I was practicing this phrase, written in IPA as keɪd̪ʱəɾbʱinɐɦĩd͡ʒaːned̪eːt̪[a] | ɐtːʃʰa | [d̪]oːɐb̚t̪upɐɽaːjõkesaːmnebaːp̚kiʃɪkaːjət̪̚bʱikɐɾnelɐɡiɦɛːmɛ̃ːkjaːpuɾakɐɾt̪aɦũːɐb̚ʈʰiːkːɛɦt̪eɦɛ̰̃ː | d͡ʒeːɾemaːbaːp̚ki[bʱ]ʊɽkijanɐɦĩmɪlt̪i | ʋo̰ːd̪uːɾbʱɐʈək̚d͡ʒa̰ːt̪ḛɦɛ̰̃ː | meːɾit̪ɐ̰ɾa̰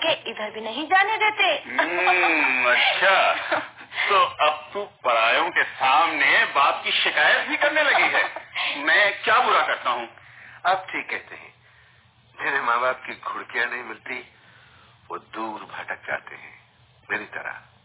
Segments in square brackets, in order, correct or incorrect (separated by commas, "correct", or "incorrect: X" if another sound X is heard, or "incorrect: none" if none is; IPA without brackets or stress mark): incorrect: e, incorrect: t̪, incorrect: ɡʱ